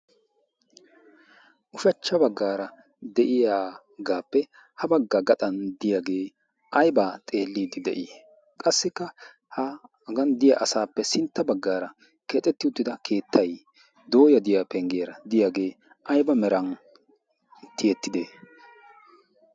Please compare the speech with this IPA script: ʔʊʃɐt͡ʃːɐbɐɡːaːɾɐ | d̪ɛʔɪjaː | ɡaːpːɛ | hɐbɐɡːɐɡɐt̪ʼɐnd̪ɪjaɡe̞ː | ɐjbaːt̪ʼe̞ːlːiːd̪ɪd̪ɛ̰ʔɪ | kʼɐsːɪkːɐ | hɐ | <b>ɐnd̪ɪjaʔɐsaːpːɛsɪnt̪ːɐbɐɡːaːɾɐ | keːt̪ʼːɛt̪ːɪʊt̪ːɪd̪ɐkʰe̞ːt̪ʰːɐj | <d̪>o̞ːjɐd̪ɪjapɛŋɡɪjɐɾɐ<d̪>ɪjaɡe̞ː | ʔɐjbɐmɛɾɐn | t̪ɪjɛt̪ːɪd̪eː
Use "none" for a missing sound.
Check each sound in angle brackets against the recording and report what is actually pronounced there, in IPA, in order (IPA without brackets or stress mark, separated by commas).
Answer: ɡ, d̪, d̪